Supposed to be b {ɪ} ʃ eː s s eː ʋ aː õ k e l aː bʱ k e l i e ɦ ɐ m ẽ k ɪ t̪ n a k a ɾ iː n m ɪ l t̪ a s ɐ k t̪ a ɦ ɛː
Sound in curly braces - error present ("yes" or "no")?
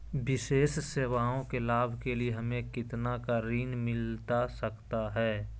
no